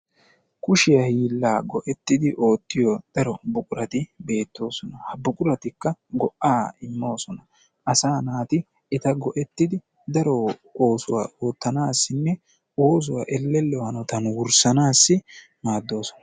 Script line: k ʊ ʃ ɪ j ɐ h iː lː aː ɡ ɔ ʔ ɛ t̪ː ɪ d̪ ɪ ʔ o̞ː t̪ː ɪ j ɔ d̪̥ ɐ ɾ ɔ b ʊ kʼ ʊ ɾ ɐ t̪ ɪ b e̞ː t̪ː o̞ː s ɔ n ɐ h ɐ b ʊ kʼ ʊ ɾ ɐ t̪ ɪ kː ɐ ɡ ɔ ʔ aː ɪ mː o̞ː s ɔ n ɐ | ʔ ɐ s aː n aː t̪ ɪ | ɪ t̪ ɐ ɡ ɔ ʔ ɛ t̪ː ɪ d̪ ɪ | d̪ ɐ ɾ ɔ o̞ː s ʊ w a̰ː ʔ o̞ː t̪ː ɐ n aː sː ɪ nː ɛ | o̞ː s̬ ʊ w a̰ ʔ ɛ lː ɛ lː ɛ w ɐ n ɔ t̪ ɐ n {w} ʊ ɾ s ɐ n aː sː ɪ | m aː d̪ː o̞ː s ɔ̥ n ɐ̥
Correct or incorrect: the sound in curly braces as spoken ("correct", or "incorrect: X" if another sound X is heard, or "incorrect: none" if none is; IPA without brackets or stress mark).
correct